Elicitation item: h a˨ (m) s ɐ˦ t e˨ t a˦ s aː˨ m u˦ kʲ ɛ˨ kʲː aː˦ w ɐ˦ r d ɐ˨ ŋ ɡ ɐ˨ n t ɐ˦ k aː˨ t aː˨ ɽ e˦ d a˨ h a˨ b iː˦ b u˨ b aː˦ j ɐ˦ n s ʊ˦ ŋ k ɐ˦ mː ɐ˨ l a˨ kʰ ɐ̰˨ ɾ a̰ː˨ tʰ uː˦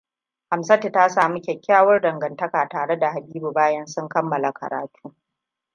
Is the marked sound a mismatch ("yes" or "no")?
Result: no